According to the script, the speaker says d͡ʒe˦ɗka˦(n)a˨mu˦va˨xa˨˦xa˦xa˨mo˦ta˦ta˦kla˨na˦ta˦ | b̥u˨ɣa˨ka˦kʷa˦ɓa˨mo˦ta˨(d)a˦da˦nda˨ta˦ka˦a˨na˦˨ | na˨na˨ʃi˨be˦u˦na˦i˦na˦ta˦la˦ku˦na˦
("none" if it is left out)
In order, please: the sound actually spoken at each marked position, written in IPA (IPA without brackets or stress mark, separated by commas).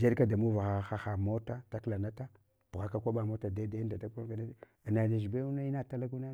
d, d